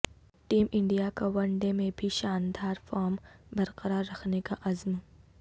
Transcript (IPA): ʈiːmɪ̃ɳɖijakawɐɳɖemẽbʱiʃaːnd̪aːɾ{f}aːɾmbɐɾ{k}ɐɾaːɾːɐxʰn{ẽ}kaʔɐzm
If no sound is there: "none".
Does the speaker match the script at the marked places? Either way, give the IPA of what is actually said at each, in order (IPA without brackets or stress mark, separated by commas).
f, q, e